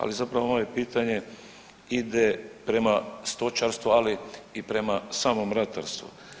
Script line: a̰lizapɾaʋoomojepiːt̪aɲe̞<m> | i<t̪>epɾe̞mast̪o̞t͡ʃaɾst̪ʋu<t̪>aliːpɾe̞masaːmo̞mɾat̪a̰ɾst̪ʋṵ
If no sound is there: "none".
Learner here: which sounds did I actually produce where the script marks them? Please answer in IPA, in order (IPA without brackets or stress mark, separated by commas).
none, d̪, none